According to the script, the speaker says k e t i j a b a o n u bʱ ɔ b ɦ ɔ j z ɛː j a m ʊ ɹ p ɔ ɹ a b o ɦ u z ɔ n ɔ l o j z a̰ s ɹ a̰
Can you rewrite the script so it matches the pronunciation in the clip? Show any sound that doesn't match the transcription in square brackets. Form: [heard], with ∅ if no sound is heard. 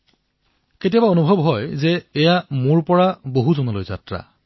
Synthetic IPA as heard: k e t i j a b a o n u bʱ ɔ b ɦ ɔ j z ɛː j a m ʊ ɹ p ɔ ɹ a b o ɦ u z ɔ n ɔ l o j z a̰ [t] ɹ a̰